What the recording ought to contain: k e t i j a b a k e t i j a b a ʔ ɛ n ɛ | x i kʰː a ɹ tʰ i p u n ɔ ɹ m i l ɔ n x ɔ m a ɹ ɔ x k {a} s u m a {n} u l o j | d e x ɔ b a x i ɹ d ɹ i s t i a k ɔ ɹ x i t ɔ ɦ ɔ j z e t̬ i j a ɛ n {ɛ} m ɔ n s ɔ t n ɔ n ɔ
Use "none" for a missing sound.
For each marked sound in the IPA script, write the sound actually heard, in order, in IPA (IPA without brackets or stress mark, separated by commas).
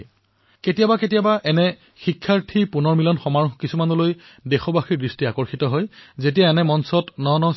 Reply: i, n, ɛ